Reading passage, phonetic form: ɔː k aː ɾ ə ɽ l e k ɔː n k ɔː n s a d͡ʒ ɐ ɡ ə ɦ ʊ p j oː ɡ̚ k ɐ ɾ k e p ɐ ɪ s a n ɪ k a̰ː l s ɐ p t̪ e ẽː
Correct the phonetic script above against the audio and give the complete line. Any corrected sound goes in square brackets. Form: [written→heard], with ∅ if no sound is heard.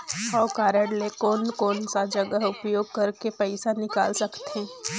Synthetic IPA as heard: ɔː k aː ɾ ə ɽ l e k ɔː n k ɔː n s a d͡ʒ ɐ ɡ ə ɦ ʊ p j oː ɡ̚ k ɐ ɾ k e p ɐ ɪ s a n ɪ k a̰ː l s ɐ [p→k] t̪ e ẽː